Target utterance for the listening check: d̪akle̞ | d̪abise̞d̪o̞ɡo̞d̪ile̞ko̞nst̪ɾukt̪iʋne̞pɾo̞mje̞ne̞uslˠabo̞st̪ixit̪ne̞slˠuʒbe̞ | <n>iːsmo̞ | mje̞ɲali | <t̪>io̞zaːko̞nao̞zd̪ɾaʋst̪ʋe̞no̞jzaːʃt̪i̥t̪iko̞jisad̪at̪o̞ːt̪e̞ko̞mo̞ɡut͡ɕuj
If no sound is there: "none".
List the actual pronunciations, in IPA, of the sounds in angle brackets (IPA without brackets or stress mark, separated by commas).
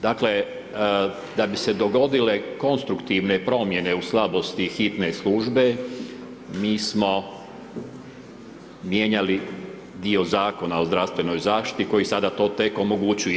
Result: m, d̪